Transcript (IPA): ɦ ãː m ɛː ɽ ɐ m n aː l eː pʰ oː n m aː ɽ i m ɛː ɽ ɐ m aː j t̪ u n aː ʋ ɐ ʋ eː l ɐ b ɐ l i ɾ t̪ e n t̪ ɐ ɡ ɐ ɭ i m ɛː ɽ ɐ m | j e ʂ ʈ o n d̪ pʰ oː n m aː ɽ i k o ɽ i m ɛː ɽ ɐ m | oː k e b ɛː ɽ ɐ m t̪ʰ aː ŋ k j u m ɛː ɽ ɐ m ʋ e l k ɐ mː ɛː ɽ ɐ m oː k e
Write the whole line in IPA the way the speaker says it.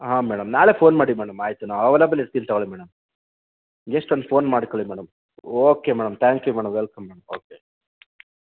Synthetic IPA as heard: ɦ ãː m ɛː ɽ ɐ m n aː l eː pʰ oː n m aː ɽ i m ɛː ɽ ɐ m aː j t̪ u n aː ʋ ɐ ʋ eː l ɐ b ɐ l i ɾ t̪ i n t̪ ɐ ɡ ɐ ɭ i m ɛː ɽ ɐ m | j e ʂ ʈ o n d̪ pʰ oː n m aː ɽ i k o ɭ i m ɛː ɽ ɐ m | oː k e m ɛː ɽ ɐ m t̪ʰ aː ŋ k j u m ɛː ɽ ɐ m ʋ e l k ɐ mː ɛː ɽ ɐ m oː k e

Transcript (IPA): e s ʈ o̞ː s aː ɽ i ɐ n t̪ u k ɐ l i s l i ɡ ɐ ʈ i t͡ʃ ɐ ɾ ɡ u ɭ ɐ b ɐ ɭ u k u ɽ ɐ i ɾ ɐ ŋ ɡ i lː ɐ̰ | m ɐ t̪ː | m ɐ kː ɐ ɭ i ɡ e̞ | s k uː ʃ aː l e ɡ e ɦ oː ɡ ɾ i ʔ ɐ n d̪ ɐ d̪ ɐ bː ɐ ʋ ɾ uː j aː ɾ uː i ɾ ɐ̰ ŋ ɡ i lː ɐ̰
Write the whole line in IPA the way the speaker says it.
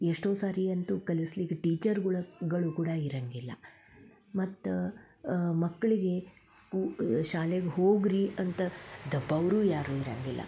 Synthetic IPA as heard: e ʂ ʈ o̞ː s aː ɾ i ɐ n t̪ u k ɐ l i s l i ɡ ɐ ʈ iː t͡ʃ ɐ ɾ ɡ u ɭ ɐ ɡ ɐ ɭ u k uː ɽ ɐ i ɾ ɐ ŋ ɡ i lː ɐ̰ | m ɐ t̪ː | m ɐ kː ɐ ɭ i ɡ e̞ | s k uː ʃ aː l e ɡ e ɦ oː ɡ ɾ i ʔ ɐ n t̪ ɐ d̪ ɐ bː ɐ ʋ ɾ uː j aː ɾ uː i ɾ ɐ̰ ŋ ɡ i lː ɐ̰

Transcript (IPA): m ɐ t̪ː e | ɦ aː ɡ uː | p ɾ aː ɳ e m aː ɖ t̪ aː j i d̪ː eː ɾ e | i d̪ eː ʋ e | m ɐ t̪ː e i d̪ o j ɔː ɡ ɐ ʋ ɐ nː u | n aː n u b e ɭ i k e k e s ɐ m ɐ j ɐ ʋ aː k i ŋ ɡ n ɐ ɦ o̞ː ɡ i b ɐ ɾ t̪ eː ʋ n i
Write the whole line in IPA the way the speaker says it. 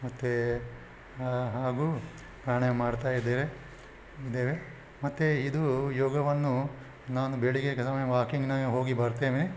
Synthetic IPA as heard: m ɐ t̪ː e | ɦ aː ɡ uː | p ɾ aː ɳ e m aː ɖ t̪ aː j i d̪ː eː ɾ e | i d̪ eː ʋ e | m ɐ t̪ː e i d̪ u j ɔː ɡ ɐ ʋ ɐ nː u | n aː n u b e ɭ i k e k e s ɐ m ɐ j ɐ ʋ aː k i ŋ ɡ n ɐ ɦ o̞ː ɡ i b ɐ ɾ t̪ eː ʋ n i

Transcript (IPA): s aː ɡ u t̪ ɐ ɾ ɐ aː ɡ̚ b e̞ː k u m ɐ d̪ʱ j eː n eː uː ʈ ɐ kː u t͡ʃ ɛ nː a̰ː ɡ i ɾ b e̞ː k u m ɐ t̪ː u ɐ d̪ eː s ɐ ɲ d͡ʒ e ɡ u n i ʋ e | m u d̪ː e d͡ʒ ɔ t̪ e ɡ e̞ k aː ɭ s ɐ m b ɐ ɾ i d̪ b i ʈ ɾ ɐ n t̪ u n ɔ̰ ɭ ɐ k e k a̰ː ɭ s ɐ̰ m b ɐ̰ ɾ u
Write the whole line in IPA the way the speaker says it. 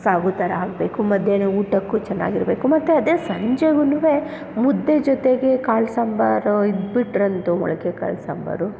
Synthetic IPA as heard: s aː ɡ u t̪ ɐ ɾ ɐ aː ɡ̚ b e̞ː k u m ɐ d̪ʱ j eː n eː uː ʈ ɐ kː u t͡ʃ ɛ nː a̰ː ɡ i ɾ b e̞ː k u m ɐ t̪ː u ɐ d̪ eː s ɐ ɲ d͡ʒ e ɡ u n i ʋ e | m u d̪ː e d͡ʒ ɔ t̪ e ɡ e̞ k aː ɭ s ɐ m b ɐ ɾ i d̪ b i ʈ ɾ ɐ n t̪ u m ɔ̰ ɭ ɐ k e k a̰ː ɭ s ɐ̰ m b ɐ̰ ɾ u

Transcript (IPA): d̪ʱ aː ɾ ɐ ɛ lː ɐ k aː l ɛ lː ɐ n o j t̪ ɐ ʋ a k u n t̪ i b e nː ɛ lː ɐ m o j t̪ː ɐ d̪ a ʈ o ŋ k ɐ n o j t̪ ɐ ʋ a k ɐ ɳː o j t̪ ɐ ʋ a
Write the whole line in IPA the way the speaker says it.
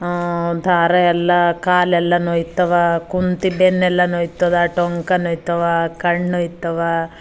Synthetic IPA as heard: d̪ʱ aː ɾ ɐ ɛ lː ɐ k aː l ɛ lː ɐ n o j t̪ ɐ ʋ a k u n t̪ i b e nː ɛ lː ɐ n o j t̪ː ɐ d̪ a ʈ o ŋ k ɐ n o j t̪ ɐ ʋ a k ɐ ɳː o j t̪ ɐ ʋ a

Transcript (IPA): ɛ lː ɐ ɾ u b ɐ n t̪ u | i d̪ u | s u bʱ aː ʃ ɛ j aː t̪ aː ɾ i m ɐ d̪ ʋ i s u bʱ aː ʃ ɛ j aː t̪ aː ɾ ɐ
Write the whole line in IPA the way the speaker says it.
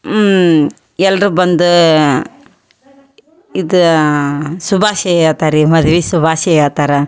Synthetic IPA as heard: ɛ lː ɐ ɾ u b ɐ n d̪ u | i d̪ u | s u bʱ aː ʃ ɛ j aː t̪ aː ɾ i m ɐ d̪ ʋ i s u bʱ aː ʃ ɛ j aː t̪ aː ɾ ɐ

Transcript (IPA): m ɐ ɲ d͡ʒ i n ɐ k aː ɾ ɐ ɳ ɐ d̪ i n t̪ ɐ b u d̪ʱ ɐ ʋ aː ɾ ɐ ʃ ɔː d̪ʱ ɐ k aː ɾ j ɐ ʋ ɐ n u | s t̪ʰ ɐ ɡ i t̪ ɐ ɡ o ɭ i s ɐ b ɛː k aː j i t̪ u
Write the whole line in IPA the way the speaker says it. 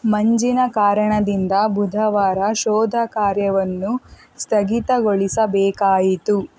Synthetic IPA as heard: m ɐ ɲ d͡ʒ i n ɐ k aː ɾ ɐ ɳ ɐ d̪ i n d̪ ɐ b u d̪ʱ ɐ ʋ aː ɾ ɐ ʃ ɔː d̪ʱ ɐ k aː ɾ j ɐ ʋ ɐ nː u | s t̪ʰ ɐ ɡ i t̪ ɐ ɡ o ɭ i s ɐ b ɛː k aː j i t̪ u

